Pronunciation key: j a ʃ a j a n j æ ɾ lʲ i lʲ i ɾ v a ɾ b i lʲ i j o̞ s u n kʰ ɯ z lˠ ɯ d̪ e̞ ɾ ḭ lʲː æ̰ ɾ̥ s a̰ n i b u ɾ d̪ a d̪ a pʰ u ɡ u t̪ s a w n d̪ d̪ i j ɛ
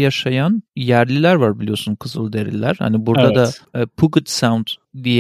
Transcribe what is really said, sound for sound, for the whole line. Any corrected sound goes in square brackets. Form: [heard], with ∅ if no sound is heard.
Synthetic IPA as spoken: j a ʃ a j a n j æ ɾ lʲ i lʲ [æ] ɾ v a ɾ b i lʲ i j o̞ s u n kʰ ɯ z lˠ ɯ d̪ e̞ ɾ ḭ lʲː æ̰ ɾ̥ [h] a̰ n i b u ɾ d̪ a d̪ a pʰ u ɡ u t̪ s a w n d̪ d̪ i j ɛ